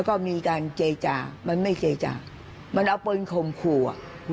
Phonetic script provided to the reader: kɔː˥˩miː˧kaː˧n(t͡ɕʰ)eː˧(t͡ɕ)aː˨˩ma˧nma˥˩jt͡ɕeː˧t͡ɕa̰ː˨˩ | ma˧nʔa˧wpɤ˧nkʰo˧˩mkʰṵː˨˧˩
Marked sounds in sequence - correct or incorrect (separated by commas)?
incorrect, correct